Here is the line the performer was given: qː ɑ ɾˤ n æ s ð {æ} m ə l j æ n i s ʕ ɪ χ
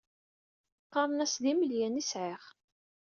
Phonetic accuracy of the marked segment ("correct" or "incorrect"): incorrect